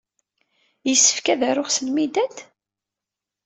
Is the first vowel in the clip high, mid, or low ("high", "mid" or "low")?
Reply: mid